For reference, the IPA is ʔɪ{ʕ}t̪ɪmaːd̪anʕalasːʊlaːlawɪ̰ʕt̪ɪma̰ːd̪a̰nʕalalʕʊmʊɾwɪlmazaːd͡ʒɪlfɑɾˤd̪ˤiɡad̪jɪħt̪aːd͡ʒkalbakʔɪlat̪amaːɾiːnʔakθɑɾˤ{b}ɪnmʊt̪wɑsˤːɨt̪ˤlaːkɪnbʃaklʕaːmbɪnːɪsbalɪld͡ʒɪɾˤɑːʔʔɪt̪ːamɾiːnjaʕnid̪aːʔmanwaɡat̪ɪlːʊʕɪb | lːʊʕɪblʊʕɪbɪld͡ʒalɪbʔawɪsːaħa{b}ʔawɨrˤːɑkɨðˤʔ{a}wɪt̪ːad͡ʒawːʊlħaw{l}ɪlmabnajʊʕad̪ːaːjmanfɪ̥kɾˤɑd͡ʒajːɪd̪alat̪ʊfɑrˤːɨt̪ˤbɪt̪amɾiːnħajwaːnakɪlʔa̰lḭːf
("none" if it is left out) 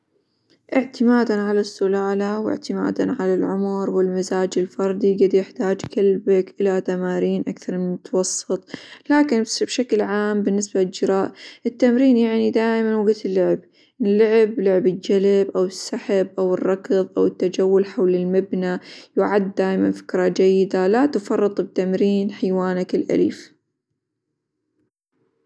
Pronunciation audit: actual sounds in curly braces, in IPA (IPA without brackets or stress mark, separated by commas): ʕ, m, b, a, l